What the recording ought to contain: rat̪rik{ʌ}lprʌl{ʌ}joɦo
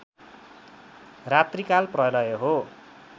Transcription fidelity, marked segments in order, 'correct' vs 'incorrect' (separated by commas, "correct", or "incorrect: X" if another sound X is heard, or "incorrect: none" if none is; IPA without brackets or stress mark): incorrect: a, correct